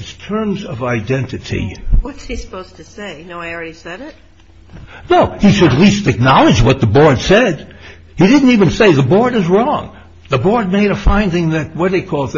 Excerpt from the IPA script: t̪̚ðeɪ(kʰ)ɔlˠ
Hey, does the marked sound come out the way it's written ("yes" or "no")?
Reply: yes